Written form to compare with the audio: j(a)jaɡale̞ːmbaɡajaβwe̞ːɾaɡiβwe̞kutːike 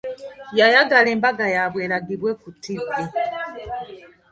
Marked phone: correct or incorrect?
correct